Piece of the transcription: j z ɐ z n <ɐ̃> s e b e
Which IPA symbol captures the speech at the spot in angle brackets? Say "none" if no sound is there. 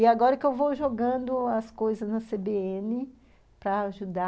ɐ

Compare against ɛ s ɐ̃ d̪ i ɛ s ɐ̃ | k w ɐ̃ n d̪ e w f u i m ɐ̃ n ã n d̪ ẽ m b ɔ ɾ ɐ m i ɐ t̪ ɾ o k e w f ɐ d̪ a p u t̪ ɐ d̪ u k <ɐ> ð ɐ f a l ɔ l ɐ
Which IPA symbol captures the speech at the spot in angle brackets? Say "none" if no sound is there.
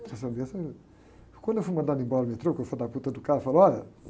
a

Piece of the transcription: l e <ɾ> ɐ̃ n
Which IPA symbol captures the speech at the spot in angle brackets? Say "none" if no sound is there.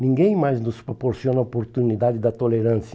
ɾ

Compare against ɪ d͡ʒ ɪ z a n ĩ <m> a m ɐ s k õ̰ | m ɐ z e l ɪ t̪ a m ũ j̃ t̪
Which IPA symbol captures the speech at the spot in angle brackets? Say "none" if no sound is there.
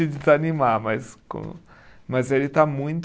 m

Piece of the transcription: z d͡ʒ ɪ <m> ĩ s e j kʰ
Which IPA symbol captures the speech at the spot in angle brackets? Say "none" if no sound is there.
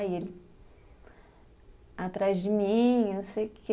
m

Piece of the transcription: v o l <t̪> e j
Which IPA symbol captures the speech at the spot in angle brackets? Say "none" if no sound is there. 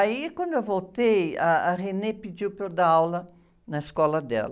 t̪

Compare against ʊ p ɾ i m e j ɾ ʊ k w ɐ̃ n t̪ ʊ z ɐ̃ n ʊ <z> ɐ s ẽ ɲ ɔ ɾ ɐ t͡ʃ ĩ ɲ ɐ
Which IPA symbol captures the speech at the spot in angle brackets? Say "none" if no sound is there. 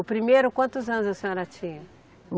z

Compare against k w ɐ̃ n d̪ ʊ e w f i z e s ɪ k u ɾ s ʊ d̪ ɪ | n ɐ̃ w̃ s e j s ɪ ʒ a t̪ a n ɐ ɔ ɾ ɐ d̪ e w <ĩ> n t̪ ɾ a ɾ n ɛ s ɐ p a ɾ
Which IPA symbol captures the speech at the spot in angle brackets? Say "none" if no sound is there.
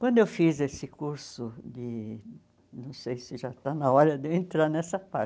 ẽ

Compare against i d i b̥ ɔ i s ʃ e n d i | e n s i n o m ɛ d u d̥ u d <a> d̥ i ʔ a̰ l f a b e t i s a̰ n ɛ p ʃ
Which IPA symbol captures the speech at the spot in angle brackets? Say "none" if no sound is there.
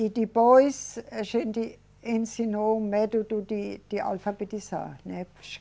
i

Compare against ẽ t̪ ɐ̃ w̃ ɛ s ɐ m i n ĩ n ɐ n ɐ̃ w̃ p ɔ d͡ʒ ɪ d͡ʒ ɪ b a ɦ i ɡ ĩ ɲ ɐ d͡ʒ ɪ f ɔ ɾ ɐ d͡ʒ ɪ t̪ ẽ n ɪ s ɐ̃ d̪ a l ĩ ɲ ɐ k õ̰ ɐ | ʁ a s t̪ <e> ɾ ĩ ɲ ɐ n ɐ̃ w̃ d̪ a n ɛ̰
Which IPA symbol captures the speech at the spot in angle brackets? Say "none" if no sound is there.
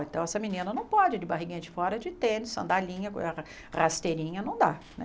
e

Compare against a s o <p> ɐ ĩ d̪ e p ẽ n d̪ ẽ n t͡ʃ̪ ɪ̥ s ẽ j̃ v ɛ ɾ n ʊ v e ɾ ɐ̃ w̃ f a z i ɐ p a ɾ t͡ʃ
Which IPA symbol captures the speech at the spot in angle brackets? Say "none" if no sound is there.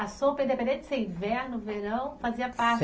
p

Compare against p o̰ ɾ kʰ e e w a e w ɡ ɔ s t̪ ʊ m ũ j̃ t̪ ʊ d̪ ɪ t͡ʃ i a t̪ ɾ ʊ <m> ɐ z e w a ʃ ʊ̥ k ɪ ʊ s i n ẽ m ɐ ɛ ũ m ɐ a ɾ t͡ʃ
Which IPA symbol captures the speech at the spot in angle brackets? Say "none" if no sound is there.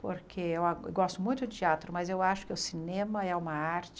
m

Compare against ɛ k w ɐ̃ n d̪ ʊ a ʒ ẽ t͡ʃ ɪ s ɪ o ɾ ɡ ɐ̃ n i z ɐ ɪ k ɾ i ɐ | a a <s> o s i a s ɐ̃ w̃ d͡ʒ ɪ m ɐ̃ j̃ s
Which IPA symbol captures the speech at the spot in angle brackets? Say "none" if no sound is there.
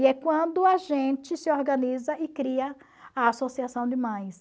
s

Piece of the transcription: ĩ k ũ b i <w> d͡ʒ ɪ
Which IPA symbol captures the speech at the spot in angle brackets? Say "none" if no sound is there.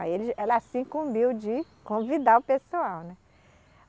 w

